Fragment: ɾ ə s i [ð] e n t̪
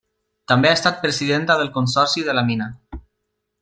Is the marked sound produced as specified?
yes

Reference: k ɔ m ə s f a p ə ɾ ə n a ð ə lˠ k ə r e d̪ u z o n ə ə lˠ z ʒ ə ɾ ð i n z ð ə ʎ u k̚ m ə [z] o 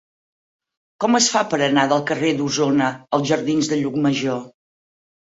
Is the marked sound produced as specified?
no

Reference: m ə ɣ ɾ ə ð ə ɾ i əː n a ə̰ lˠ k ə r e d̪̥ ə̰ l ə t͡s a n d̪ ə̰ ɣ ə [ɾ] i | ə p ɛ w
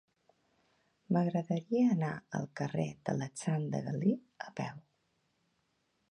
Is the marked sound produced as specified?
no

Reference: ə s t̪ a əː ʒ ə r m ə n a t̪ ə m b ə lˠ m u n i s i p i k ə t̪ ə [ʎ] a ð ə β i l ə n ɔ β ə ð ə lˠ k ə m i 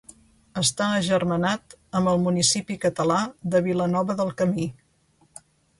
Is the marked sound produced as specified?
no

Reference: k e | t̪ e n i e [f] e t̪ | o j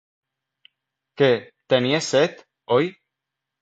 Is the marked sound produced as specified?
no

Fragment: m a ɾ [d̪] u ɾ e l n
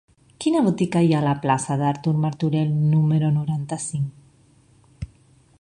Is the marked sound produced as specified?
no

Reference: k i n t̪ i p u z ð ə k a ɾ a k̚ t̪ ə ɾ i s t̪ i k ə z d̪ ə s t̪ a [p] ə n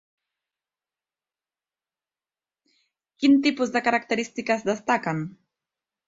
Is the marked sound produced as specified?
no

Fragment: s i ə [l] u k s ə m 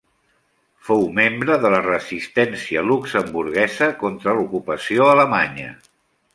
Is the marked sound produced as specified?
yes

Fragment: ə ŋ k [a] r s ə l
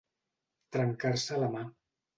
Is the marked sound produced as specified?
yes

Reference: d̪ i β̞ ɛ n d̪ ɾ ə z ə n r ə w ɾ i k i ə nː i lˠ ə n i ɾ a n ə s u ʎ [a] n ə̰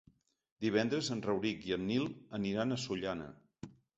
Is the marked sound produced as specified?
yes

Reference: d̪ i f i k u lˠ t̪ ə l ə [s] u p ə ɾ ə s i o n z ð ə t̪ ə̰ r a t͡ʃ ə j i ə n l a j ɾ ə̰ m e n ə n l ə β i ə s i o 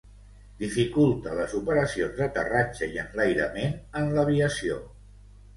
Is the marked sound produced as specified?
no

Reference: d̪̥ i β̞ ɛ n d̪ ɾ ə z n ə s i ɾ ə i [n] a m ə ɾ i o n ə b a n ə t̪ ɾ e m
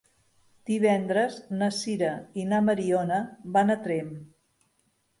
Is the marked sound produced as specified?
yes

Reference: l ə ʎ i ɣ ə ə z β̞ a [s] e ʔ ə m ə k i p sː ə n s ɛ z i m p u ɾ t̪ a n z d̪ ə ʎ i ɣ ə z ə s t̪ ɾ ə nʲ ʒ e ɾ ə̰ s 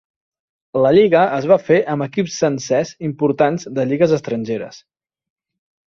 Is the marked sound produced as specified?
no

